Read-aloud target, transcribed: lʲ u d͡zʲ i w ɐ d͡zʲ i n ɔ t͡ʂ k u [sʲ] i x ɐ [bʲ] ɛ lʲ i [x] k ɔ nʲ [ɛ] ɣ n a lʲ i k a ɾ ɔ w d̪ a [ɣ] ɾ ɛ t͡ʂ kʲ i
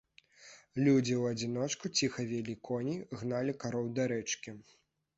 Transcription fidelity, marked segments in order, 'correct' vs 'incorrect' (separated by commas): incorrect, incorrect, incorrect, incorrect, incorrect